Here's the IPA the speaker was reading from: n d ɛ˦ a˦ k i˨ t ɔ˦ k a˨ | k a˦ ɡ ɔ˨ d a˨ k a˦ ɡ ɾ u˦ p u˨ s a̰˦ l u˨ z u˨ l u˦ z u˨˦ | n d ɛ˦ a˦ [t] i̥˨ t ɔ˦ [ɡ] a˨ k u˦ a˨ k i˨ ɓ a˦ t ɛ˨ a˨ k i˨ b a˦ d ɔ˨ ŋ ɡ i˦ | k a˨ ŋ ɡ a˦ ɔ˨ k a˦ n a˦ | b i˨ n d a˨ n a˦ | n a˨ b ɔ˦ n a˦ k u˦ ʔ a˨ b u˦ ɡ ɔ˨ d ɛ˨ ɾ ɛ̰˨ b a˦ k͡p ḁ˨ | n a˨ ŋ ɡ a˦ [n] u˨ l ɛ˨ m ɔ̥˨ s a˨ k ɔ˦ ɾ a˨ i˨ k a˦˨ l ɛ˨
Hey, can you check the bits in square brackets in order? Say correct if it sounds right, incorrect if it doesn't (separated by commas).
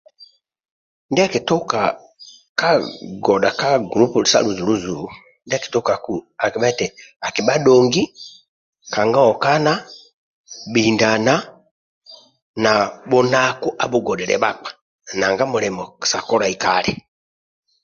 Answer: incorrect, incorrect, incorrect